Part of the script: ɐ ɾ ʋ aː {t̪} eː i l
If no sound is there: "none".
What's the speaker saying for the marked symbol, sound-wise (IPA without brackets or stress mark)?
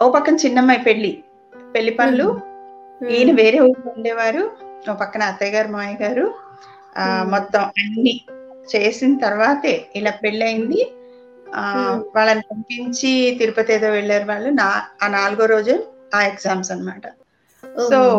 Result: t̪